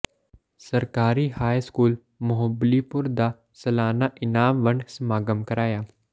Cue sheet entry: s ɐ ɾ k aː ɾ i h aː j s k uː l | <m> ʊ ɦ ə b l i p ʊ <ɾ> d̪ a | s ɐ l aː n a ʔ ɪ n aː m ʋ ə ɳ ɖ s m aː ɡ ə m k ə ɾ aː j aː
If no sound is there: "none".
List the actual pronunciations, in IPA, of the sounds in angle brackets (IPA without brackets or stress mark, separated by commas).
m, ɾ